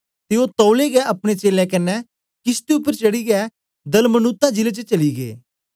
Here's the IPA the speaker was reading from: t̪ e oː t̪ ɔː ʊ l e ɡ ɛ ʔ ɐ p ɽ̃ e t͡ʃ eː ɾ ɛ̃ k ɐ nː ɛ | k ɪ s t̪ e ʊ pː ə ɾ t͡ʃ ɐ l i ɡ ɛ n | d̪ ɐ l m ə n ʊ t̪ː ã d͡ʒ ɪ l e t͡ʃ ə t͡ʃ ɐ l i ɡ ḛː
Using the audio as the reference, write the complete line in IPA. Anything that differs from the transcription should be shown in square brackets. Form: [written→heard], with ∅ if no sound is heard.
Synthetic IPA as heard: t̪ e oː t̪ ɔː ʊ l e ɡ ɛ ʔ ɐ p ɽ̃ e t͡ʃ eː [ɾ→l] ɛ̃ k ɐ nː ɛ | k ɪ s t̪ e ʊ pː ə ɾ t͡ʃ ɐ [l→ɽ] i ɡ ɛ [n→∅] | d̪ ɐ l m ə n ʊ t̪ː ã d͡ʒ ɪ l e t͡ʃ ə t͡ʃ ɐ l i ɡ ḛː